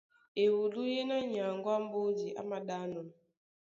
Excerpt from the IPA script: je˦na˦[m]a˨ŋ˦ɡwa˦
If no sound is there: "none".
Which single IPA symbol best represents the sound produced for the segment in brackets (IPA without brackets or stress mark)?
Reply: ɲ